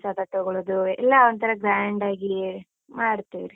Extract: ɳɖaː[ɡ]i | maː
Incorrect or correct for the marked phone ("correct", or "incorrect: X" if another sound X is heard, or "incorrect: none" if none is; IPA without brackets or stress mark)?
correct